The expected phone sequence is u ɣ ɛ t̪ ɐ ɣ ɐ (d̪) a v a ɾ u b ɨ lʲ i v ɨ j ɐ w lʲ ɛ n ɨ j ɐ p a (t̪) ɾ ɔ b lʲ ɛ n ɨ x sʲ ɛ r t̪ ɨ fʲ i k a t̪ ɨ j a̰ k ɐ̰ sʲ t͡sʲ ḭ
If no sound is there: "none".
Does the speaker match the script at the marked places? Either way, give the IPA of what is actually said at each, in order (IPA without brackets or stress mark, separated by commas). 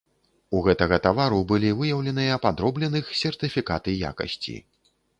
t̪, d̪